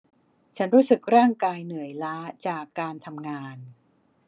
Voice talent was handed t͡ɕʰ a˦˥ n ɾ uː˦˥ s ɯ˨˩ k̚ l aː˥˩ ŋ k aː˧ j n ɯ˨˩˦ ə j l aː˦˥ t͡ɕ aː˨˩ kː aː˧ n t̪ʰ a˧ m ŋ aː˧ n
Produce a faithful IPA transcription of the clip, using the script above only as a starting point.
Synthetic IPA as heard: t͡ɕʰ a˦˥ n ɾ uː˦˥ s ɯ˨˩ k̚ ɾ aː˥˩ ŋ k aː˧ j n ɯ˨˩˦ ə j l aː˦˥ t͡ɕ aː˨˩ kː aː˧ n t̪ʰ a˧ m ŋ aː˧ n